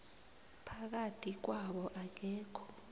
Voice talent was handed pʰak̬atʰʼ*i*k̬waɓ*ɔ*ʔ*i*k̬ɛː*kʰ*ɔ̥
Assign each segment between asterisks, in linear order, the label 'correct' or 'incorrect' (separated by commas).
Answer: correct, correct, incorrect, correct